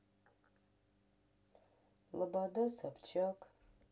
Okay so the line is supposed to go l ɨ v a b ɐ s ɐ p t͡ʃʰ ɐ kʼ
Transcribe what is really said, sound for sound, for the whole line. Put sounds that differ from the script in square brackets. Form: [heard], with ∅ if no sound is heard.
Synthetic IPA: l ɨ [b] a [d] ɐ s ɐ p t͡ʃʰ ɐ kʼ

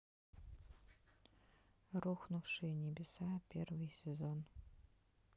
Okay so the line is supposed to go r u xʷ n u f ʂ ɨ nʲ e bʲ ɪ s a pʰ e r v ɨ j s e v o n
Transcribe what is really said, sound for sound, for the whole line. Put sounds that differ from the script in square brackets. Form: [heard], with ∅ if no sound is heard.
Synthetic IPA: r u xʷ n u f ʂ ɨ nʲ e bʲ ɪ s a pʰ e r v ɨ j s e [z] o n

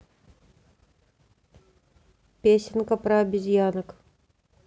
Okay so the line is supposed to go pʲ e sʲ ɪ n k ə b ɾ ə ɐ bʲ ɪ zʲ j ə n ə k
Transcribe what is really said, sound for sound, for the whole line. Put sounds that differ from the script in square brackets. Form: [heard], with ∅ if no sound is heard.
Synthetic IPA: pʲ e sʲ ɪ n k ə [p] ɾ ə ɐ bʲ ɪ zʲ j [a] n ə k

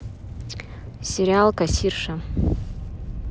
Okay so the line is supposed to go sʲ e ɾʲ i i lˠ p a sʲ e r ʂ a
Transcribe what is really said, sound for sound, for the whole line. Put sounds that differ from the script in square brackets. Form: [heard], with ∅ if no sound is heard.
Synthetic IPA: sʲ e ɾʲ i [a] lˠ [k] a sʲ [i] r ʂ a

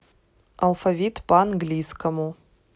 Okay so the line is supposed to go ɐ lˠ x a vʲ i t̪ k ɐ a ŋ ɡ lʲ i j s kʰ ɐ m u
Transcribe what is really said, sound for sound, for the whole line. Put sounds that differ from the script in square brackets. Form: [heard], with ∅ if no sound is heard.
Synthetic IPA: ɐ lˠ [f] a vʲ i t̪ [p] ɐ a [n] ɡ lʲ i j s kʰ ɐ m u

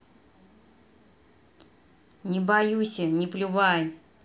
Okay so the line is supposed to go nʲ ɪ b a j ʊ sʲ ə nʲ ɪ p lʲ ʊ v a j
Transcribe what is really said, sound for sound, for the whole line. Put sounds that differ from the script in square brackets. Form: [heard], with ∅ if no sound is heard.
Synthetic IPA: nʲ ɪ b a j [u] sʲ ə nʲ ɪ p lʲ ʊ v a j

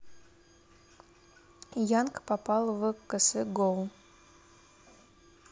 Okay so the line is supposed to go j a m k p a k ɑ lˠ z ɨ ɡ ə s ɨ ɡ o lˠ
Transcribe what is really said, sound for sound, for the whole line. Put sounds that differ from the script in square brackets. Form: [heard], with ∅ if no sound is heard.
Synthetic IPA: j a [n] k p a [p] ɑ lˠ [v] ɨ [k] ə s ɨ ɡ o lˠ

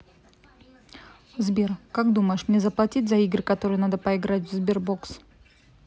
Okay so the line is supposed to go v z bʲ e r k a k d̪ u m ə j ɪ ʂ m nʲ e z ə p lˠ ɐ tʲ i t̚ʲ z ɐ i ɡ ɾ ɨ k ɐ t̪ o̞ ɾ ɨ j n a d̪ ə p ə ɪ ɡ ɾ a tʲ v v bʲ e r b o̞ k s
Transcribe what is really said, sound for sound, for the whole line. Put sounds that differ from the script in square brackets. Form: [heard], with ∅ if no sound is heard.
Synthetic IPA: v z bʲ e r k a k d̪ u m ə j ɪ ʂ m nʲ e z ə p lˠ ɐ tʲ i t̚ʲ z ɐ i ɡ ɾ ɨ k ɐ t̪ o̞ ɾ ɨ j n a d̪ ə p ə ɪ ɡ ɾ a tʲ v [z] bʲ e r b o̞ k s

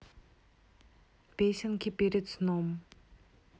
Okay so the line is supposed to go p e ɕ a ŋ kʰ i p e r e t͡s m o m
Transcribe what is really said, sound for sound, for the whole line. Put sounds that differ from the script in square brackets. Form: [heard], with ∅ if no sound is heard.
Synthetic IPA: p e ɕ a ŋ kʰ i p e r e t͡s [n] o m

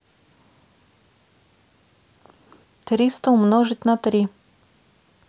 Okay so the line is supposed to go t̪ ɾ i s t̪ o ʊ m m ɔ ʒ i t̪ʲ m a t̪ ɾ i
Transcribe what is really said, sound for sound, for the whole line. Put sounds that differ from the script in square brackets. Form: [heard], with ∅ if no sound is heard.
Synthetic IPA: t̪ ɾ i s t̪ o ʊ m [n] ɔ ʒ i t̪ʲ [n] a t̪ ɾ i

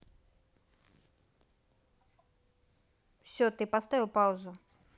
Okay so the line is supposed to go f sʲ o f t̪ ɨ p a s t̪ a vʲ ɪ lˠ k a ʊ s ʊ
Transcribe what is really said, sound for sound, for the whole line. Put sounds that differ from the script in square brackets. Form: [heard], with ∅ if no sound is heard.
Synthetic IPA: f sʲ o [∅] t̪ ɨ p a s t̪ a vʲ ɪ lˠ [p] a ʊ [z] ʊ

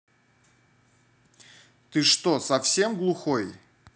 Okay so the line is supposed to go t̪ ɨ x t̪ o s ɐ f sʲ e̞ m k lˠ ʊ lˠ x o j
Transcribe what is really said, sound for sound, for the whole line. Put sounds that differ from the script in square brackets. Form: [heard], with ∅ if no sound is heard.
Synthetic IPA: t̪ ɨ [ʂ] t̪ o s ɐ f sʲ e̞ m [ɡ] lˠ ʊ [∅] x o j

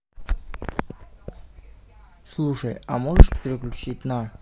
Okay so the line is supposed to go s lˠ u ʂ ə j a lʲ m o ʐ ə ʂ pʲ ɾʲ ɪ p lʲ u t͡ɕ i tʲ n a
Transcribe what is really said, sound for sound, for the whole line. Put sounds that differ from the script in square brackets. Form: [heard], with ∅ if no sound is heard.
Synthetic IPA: s lˠ u ʂ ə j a [∅] m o ʐ ə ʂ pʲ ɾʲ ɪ [k] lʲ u t͡ɕ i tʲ n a

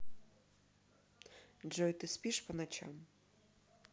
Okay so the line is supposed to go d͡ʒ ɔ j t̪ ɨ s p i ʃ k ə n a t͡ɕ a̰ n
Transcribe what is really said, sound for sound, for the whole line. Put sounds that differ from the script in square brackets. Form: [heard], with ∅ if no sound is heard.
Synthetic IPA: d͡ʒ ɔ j t̪ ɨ s p i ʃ [p] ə n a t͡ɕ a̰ [m]

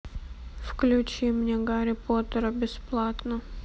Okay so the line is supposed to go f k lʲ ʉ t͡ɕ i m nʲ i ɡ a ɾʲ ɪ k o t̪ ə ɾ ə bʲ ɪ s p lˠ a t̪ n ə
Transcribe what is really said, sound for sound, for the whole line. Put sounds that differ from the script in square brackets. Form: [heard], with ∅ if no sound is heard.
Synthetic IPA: f k lʲ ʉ t͡ɕ i m nʲ [e] ɡ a ɾʲ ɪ [p] o t̪ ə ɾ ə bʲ ɪ s p lˠ a t̪ n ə

